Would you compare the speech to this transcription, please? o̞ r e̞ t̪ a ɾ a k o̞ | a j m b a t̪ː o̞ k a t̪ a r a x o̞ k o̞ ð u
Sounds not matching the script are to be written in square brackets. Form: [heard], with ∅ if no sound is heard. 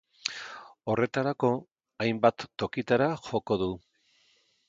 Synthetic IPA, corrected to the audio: o̞ r e̞ t̪ a ɾ a k o̞ | a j m b a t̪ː o̞ k [i] t̪ a [ɾ] a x o̞ k o̞ ð u